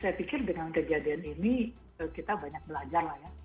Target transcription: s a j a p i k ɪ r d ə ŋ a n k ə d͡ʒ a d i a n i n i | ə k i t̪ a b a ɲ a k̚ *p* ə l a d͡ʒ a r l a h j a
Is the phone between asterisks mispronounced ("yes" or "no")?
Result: yes